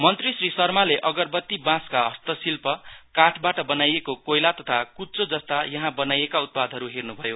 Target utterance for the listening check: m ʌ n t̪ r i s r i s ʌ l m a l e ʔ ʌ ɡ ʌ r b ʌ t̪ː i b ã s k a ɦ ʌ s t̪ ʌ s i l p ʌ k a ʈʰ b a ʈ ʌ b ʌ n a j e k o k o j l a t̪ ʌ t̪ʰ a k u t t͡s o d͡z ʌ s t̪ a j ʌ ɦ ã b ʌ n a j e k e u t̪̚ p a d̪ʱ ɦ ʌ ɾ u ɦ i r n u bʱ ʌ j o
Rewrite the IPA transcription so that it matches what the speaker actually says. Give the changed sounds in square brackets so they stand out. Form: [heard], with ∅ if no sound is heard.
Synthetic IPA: m ʌ n t̪ r i s r i s ʌ [r] m a l e ʔ ʌ ɡ ʌ r b ʌ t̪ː i b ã s k a ɦ ʌ s t̪ ʌ s i l p ʌ k a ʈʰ b a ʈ ʌ b ʌ n a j e k o k o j l a t̪ ʌ t̪ʰ a k u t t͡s o d͡z ʌ s t̪ a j ʌ ɦ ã b ʌ n a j e k [a] u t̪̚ p a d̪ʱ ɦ ʌ ɾ u ɦ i r n u bʱ ʌ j o